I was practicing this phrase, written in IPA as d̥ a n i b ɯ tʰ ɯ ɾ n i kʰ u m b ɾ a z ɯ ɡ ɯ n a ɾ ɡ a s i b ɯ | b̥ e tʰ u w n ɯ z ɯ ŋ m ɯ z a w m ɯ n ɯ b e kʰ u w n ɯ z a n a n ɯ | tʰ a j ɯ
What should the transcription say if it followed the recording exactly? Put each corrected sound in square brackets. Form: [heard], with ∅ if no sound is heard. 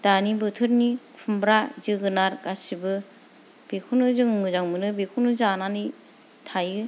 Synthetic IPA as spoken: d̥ a n i b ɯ tʰ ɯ ɾ n i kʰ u m b ɾ a z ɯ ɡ ɯ n a ɾ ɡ a s i b ɯ | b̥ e [kʰ] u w n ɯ z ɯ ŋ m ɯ z a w m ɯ n ɯ b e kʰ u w n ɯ z a n a n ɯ | tʰ a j ɯ